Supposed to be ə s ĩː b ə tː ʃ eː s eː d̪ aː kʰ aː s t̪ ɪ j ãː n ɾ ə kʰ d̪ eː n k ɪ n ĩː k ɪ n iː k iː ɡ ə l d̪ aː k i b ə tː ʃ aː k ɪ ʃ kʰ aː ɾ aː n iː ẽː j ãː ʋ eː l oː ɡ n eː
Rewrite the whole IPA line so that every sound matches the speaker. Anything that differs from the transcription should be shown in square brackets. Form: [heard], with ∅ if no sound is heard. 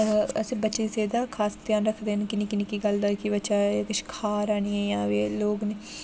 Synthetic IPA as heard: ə s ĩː b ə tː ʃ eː s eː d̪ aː kʰ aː s t̪ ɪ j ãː n ɾ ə kʰ d̪ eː n k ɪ n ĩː k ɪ n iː k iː ɡ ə l d̪ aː k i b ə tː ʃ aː k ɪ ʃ kʰ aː ɾ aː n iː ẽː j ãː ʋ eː l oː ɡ n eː